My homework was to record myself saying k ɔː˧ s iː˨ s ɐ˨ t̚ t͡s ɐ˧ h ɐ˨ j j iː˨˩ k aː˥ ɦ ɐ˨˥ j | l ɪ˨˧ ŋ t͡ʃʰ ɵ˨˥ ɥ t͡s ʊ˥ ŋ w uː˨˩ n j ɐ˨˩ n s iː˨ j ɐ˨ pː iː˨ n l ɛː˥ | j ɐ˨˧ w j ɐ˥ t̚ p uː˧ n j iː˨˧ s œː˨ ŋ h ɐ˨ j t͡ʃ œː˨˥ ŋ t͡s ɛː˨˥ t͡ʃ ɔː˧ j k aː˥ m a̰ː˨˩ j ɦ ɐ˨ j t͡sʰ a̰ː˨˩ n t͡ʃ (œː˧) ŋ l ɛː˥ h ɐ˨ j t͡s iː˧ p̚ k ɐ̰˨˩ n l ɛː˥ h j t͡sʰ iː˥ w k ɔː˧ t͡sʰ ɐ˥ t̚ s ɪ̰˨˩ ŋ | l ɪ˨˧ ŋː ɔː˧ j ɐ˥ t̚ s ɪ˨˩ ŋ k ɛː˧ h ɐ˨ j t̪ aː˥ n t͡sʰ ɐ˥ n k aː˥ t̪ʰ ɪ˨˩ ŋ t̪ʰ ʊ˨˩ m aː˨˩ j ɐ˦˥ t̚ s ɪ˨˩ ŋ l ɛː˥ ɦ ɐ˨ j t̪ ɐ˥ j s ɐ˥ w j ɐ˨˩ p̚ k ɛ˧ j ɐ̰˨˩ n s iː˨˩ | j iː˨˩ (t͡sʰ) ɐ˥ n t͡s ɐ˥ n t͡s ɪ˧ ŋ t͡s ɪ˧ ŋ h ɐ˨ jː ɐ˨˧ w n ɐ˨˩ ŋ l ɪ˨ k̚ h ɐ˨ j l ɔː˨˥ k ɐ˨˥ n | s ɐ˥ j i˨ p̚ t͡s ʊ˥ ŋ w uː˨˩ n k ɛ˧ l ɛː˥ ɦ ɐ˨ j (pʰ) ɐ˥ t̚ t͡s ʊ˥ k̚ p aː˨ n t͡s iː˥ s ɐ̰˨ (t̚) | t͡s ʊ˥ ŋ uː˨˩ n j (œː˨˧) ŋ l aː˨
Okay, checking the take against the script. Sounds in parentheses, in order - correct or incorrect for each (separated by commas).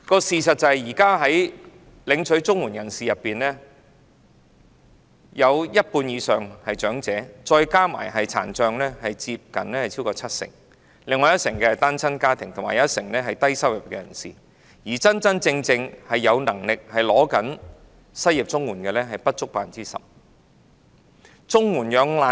correct, incorrect, incorrect, incorrect, correct